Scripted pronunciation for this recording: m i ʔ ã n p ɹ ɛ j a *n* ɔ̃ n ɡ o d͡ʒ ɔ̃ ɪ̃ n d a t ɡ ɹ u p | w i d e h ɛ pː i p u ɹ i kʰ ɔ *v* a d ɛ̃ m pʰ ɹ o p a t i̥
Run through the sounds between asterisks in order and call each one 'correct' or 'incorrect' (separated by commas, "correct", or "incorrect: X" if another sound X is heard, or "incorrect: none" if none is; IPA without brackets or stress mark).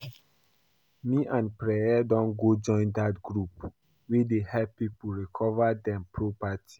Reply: incorrect: d, correct